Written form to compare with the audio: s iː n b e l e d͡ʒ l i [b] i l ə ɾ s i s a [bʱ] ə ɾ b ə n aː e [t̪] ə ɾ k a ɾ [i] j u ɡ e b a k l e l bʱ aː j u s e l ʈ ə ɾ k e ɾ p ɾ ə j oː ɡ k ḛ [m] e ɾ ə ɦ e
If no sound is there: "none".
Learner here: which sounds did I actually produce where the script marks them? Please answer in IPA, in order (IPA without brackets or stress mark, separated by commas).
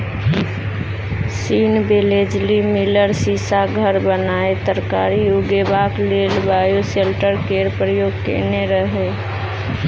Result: m, ɡʱ, t̪, i, n